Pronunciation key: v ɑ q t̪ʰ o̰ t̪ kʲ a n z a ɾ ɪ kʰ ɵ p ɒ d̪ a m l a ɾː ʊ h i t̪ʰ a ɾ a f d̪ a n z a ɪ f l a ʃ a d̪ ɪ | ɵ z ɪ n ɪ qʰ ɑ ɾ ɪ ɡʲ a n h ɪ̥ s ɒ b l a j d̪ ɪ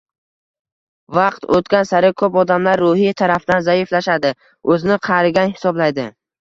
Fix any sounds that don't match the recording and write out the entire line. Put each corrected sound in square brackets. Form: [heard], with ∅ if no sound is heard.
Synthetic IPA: v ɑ q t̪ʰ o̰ t̪ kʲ a n [s] a ɾ ɪ kʰ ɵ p ɒ d̪ a m l a ɾː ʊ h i t̪ʰ a ɾ a f d̪ a n z a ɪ f l a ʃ a d̪ ɪ | ɵ z ɪ n ɪ qʰ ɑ ɾ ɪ ɡʲ a n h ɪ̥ s ɒ b l a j d̪ ɪ